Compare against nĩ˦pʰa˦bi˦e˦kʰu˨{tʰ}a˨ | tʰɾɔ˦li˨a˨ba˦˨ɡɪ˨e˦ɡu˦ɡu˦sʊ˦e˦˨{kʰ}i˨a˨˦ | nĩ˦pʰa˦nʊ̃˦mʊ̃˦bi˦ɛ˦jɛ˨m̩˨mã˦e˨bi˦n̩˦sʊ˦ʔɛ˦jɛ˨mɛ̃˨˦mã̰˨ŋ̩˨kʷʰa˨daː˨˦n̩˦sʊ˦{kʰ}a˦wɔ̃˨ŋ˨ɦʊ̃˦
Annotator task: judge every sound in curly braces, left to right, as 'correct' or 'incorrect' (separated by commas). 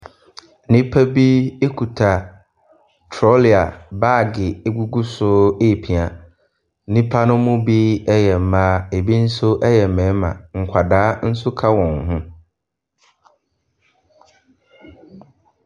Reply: correct, incorrect, correct